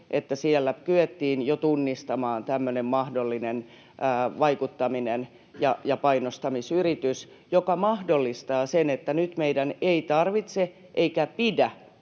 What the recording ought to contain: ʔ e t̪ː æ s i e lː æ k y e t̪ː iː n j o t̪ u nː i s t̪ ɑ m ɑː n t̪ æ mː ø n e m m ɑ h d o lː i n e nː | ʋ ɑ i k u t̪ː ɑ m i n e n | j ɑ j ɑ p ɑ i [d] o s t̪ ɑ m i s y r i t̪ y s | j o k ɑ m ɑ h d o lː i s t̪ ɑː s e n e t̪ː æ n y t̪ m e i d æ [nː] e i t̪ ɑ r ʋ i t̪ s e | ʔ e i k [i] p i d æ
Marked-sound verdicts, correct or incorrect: incorrect, incorrect, incorrect

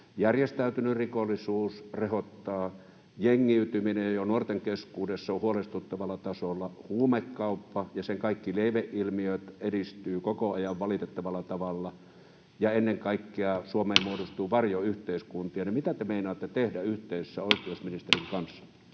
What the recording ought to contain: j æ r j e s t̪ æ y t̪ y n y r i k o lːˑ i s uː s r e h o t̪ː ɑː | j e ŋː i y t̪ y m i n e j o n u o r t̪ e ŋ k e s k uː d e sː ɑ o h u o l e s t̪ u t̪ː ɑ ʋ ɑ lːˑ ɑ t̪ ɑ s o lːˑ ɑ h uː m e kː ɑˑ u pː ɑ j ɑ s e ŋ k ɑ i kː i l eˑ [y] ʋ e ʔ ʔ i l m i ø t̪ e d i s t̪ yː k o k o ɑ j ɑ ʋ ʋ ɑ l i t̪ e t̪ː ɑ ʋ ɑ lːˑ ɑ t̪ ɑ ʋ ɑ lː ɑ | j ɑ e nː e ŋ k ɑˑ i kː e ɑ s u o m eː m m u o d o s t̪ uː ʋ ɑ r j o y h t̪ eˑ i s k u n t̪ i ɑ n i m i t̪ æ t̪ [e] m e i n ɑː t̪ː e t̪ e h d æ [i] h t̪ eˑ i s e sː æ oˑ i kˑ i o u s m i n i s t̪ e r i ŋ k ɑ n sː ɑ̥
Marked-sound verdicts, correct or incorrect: incorrect, correct, incorrect

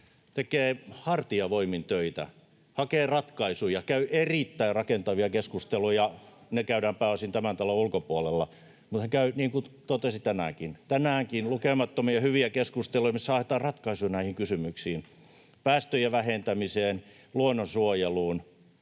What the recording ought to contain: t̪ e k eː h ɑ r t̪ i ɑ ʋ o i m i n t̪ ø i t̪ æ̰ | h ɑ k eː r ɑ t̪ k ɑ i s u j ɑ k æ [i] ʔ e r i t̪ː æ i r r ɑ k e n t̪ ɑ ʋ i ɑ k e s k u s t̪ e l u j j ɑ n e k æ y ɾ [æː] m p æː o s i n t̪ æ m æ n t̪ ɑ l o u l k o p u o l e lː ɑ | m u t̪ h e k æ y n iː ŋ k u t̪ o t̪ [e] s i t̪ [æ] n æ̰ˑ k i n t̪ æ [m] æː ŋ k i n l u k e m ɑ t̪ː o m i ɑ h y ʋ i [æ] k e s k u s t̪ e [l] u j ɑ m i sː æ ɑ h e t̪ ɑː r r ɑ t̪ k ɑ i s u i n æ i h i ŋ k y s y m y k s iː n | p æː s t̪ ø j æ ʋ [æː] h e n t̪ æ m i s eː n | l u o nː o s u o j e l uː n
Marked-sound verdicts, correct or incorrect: incorrect, correct, correct, correct, incorrect, correct, correct, incorrect

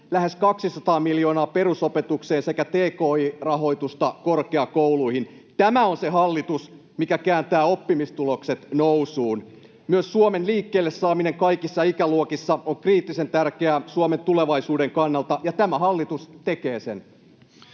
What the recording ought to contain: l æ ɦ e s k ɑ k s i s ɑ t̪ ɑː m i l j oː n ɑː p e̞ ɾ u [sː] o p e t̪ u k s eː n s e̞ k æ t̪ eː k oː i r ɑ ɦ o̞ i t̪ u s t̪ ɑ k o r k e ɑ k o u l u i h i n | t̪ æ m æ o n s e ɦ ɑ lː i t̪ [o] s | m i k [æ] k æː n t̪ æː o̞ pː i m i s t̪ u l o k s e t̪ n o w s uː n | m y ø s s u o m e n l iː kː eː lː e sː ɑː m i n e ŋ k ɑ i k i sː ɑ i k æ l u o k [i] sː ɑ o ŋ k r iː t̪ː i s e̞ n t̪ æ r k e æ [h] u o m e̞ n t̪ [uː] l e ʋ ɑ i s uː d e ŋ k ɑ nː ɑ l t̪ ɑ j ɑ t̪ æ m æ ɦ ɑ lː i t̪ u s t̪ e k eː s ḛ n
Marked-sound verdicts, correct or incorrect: incorrect, incorrect, correct, correct, incorrect, incorrect

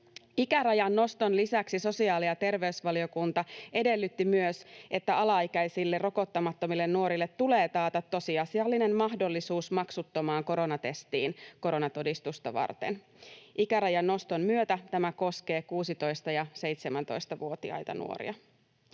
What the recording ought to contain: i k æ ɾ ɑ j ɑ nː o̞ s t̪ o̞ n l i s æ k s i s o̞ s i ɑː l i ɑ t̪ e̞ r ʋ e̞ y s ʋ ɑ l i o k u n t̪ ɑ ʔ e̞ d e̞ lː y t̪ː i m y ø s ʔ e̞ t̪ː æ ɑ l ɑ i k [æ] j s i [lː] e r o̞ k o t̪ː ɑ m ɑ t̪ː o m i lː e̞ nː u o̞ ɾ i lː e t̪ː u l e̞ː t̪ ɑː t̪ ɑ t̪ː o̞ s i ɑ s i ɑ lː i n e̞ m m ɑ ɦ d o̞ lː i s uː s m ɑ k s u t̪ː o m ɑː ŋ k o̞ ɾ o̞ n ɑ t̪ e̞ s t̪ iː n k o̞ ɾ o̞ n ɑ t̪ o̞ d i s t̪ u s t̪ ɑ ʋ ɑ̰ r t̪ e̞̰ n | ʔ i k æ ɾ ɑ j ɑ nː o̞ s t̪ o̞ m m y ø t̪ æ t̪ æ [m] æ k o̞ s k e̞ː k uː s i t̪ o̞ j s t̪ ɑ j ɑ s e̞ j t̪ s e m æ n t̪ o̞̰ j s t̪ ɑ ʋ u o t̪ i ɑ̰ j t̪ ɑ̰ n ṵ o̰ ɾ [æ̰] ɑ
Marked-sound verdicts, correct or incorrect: correct, correct, correct, incorrect

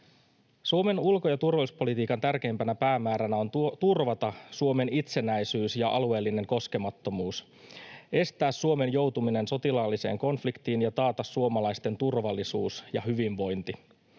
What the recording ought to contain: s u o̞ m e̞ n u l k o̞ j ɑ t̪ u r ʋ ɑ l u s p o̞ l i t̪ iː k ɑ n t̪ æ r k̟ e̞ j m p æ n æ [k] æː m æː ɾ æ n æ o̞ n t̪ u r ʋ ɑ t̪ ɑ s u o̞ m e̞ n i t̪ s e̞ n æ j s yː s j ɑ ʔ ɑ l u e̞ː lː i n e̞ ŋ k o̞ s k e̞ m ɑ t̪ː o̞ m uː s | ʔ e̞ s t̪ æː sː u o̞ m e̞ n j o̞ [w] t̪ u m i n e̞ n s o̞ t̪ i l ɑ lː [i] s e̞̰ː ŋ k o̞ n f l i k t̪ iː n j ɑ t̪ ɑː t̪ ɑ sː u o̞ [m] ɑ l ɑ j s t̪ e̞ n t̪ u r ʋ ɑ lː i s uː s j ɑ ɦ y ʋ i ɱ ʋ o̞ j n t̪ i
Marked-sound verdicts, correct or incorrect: incorrect, correct, correct, correct

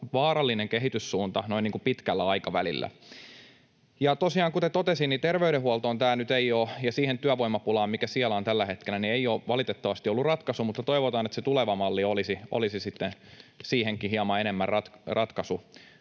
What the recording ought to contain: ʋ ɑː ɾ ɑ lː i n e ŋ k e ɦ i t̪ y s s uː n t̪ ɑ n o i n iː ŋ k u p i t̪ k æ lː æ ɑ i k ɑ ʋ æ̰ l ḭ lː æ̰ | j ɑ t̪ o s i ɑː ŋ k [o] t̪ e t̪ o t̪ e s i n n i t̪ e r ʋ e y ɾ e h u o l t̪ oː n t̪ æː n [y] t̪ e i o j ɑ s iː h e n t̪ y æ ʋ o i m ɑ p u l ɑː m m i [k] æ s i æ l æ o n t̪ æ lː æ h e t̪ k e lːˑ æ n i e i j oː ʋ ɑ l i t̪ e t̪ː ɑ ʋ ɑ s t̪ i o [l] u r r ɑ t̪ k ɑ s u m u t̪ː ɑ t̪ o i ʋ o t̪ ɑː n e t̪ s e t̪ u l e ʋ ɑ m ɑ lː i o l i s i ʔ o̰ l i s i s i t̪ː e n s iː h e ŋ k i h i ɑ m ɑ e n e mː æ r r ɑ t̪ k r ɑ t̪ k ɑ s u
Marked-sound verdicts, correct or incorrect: incorrect, correct, correct, incorrect

